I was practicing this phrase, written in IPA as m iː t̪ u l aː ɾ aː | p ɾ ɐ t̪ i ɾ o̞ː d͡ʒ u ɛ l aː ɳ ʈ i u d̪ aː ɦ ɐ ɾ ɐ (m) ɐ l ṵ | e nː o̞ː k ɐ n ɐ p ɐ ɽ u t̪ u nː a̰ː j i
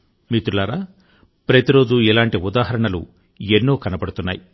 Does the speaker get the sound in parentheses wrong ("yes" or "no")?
yes